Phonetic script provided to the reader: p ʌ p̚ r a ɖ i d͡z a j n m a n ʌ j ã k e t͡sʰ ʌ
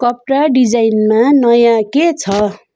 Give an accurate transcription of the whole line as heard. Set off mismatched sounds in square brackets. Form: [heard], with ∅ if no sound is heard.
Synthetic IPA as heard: [k] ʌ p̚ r a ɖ i d͡z a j n m a n ʌ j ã k e t͡sʰ ʌ